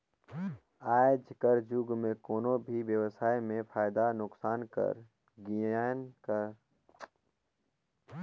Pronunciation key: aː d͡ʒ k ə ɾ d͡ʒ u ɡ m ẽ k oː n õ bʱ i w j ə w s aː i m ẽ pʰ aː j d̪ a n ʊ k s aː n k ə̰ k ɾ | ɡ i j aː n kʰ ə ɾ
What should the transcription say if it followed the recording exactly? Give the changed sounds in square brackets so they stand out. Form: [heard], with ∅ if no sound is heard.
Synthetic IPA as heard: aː d͡ʒ k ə ɾ d͡ʒ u ɡ m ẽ k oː n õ bʱ i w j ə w s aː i m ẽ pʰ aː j d̪ a n ʊ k s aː n k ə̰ [∅] ɾ | ɡ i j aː n [k] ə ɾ